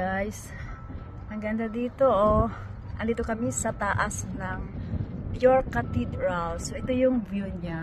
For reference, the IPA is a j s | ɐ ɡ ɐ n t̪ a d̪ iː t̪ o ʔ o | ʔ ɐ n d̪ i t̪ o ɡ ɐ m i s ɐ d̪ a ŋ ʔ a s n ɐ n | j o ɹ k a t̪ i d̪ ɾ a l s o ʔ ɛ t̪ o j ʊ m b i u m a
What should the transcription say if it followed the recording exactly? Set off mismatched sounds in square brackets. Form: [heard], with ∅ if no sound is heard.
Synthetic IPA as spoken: a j s | ɐ ɡ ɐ n [d̪] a d̪ iː t̪ o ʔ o | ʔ ɐ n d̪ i t̪ o [k] ɐ m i s ɐ [t̪] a [∅] ʔ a s n ɐ [ŋ] | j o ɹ k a t̪ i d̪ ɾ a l s o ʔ ɛ t̪ o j ʊ [ŋ] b [j] u [ɲ] a